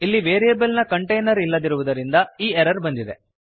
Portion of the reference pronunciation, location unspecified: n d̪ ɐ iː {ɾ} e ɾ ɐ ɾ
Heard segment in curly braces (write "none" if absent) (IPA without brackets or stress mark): none